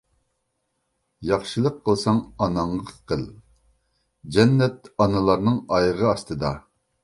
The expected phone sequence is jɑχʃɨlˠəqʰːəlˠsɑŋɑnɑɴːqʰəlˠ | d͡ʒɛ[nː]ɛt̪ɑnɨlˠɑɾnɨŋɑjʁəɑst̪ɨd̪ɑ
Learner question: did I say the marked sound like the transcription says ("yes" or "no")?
yes